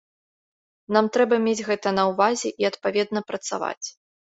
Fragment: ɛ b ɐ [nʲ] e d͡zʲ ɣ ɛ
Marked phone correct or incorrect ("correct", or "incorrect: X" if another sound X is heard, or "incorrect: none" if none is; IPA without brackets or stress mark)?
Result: incorrect: mʲ